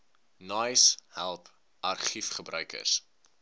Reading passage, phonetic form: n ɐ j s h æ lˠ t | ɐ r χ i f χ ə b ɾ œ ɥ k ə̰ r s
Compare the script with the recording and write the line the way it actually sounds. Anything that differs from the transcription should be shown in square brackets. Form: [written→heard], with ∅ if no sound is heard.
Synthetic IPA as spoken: n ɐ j s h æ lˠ [t→p] | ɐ r χ i f χ ə b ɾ œ ɥ k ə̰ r s